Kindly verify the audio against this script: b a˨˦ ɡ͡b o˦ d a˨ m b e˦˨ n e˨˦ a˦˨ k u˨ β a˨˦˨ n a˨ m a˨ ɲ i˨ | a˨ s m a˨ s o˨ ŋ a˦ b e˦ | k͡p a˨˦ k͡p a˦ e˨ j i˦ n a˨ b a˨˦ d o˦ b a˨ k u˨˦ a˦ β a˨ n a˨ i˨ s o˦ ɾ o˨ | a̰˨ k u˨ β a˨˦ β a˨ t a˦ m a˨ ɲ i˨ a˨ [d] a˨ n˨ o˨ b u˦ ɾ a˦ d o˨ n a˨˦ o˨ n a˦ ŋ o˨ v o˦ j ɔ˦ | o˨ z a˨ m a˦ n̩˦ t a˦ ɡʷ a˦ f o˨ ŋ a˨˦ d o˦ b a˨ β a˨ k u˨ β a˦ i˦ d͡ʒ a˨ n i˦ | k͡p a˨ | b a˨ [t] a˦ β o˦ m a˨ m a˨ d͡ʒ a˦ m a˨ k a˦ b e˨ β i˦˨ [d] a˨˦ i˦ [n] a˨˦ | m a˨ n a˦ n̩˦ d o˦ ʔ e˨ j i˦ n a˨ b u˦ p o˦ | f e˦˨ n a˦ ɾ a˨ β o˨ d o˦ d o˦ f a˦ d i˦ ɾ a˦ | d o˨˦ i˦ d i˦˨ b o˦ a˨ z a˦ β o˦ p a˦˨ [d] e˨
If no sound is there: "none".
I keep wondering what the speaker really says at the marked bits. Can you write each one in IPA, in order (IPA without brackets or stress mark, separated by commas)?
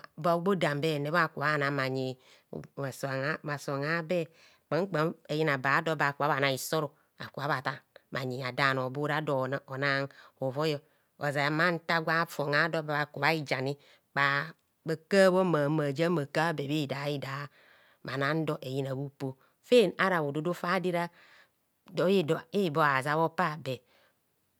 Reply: d, k, d, d, b